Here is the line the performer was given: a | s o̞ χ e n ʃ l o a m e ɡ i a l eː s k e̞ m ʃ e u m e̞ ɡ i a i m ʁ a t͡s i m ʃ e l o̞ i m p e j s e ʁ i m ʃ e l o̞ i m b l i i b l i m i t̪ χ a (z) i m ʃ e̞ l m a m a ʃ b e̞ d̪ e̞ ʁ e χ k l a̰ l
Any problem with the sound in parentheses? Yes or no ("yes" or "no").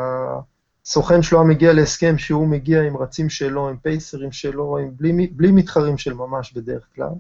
yes